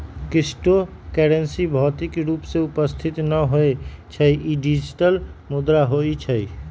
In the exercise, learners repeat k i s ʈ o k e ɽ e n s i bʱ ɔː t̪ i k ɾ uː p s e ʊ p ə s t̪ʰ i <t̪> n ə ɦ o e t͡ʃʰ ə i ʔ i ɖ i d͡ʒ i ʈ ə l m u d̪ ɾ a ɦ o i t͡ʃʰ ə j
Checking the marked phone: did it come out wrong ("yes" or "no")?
no